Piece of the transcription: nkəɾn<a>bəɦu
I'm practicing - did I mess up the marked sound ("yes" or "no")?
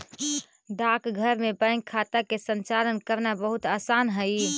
no